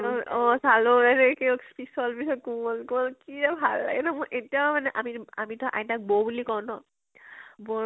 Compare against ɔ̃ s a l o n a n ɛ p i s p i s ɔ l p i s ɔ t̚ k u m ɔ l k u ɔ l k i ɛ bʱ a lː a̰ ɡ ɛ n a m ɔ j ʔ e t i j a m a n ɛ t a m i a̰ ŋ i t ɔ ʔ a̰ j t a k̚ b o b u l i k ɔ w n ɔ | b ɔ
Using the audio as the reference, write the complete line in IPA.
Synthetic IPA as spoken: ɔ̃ s a l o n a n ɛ k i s p i s ɔ l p i s ɔ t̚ k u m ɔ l k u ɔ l k i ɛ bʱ a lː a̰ ɡ ɛ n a m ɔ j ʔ e t i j a m a n ɛ ʔ a m i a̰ m i t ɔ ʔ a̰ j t a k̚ b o b u l i k ɔ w n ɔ | b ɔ